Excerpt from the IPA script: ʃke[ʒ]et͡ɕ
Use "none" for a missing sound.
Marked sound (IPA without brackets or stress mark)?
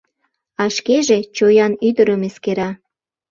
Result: ʒ